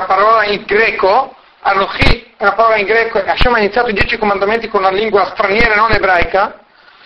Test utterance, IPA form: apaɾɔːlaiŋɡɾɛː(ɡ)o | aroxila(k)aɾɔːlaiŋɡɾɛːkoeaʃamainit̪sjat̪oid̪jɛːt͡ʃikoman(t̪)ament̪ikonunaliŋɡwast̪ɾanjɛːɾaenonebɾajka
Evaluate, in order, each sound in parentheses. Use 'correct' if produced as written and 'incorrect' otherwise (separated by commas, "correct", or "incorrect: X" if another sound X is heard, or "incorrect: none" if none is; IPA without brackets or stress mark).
incorrect: k, incorrect: p, incorrect: d̪